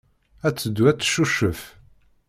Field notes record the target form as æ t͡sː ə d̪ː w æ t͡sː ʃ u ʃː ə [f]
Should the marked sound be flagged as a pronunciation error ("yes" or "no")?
no